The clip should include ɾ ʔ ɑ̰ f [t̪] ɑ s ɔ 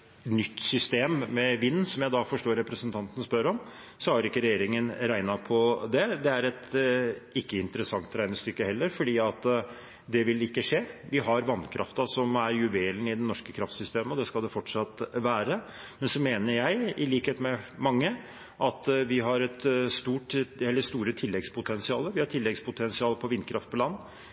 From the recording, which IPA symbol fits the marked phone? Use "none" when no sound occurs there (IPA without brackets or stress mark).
t̪